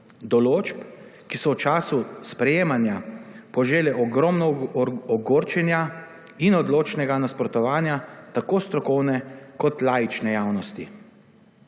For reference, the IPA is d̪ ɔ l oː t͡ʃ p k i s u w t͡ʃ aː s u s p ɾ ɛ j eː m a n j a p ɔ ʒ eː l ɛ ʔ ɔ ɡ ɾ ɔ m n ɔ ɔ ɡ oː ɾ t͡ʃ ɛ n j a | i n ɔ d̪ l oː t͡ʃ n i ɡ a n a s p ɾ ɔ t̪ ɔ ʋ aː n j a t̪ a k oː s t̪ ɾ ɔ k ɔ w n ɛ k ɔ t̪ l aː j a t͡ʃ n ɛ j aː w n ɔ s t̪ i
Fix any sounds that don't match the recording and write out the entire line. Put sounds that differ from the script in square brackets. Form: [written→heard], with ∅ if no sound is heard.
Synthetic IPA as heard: d̪ ɔ l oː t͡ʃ p k i s [u→ɔ] w t͡ʃ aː s u s p ɾ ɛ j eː m a n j a p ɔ ʒ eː l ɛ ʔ ɔ ɡ ɾ ɔ m n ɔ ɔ ɡ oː ɾ t͡ʃ ɛ n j a | i n ɔ d̪ l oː t͡ʃ n [i→ɛ] ɡ a n a s p ɾ ɔ t̪ ɔ ʋ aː n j a t̪ a k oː s t̪ ɾ ɔ k ɔ w n ɛ k ɔ t̪ l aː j [a→i] t͡ʃ n ɛ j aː w n ɔ s t̪ i